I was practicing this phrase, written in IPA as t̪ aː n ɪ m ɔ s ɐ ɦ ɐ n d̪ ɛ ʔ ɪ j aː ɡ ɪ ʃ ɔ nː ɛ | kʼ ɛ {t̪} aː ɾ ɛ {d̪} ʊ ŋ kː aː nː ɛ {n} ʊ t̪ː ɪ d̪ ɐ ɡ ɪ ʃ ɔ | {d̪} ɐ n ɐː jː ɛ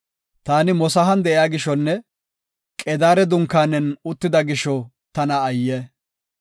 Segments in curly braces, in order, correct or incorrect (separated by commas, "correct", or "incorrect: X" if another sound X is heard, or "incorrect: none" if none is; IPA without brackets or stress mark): incorrect: d̪, correct, correct, incorrect: t̪